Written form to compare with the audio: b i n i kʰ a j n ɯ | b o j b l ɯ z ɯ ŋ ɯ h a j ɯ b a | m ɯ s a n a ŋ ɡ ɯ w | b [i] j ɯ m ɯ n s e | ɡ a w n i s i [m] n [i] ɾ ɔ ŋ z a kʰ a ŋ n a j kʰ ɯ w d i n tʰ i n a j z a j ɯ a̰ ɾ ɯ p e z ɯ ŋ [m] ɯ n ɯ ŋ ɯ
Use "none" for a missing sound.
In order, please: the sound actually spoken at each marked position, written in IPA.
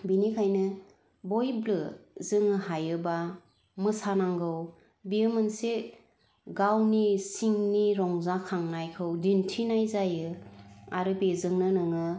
i, ŋ, i, n

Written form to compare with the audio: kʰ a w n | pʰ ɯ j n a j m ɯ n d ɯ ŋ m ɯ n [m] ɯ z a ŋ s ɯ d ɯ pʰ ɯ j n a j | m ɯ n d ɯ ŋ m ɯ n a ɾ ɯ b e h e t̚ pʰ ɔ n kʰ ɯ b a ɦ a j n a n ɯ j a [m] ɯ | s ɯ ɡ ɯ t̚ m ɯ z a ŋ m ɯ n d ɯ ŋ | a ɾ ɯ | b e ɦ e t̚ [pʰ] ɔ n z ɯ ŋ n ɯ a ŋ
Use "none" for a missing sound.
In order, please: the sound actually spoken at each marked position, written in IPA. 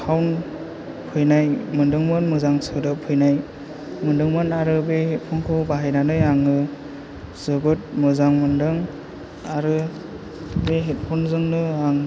m, ŋ, pʰ

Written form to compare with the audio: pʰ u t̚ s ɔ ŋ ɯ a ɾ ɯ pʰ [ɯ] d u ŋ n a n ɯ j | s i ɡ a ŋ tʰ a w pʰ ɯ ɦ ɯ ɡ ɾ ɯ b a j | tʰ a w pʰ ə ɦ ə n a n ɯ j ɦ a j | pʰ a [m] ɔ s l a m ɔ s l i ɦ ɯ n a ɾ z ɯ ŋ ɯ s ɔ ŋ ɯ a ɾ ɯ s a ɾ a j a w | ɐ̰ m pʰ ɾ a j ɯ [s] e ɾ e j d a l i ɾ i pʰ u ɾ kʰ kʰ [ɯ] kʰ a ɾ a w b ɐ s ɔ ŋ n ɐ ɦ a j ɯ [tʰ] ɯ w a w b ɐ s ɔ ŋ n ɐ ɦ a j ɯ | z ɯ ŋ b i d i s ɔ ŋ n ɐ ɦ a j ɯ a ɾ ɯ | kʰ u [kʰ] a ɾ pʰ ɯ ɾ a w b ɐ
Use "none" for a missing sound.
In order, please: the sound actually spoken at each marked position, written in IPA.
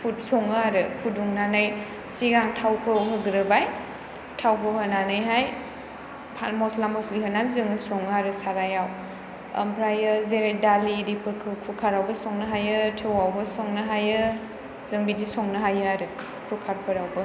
u, m, z, u, tʰ, kʰ

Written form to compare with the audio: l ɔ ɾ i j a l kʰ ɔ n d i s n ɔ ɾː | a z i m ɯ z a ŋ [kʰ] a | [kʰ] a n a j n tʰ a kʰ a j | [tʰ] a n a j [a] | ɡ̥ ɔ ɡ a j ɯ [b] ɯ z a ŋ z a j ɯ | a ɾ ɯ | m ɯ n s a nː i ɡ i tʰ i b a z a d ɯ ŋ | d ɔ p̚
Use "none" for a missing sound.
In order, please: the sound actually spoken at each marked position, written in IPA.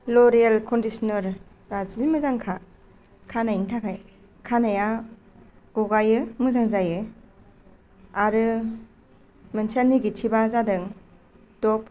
kʰ, kʰ, kʰ, a, m

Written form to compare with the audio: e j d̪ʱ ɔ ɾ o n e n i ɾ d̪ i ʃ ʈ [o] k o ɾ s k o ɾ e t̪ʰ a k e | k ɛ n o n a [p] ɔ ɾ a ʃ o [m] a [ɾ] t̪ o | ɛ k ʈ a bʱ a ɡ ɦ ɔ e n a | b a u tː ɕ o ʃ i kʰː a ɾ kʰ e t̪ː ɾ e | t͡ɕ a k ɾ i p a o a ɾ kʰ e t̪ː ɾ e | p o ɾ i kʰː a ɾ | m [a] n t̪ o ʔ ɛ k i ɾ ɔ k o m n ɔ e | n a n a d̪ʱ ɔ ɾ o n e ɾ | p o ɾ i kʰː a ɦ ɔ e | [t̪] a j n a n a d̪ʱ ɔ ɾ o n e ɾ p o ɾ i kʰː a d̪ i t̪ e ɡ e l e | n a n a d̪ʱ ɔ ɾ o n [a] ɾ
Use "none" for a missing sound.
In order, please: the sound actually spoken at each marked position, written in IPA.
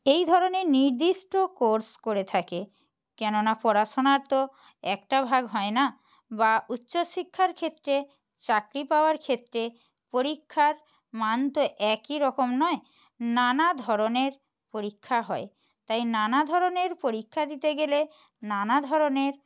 o, p, n, ɾ, a, t̪, e

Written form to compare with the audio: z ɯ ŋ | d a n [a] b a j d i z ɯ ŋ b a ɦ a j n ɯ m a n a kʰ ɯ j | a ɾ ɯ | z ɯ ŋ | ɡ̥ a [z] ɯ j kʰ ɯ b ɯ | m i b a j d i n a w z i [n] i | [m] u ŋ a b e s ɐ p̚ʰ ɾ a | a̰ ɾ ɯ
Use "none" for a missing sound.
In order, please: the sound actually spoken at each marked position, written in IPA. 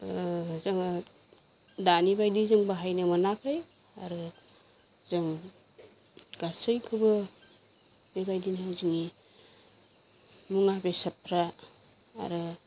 i, s, ŋ, m

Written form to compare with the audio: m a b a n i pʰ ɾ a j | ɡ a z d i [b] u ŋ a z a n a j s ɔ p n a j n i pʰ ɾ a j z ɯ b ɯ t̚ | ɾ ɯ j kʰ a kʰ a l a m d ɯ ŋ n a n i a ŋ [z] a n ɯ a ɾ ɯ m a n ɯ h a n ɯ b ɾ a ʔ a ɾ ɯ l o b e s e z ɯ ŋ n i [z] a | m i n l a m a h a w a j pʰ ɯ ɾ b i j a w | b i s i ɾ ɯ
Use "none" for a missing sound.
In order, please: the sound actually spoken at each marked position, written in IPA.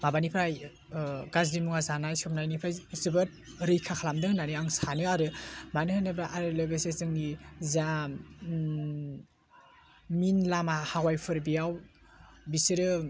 m, s, z

